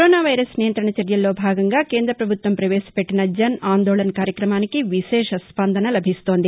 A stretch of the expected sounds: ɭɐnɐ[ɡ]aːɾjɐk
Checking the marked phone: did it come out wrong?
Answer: yes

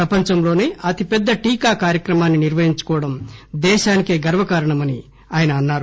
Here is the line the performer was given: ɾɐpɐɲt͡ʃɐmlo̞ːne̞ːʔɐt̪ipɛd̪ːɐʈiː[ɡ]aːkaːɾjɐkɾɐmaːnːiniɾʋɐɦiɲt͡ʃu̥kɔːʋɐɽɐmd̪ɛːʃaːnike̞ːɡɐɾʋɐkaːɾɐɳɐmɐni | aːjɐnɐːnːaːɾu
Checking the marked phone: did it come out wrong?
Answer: yes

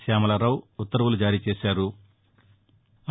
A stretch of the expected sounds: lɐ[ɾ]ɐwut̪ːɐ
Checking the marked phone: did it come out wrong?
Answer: no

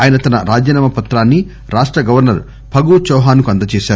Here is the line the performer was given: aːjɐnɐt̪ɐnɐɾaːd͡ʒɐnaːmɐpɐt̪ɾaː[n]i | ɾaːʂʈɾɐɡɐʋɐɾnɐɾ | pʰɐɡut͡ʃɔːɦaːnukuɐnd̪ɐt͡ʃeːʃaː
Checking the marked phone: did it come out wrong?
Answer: yes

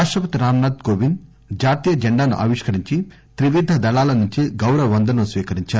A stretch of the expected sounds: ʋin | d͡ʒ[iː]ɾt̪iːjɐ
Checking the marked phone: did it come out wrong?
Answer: yes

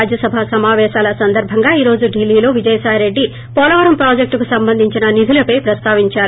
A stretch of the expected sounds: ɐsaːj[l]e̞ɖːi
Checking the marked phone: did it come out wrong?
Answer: yes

